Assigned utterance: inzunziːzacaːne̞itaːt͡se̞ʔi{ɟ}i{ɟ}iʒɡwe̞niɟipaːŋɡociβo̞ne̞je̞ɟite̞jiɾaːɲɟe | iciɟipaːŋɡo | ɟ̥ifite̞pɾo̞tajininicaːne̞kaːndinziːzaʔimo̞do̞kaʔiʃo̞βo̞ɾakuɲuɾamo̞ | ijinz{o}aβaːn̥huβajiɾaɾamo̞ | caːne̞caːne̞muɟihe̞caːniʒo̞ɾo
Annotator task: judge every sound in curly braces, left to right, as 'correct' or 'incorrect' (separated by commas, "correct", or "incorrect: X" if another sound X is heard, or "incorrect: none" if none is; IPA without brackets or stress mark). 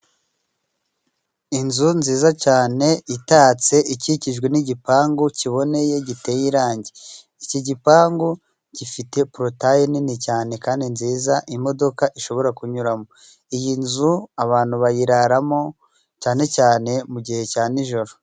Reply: incorrect: c, incorrect: c, incorrect: u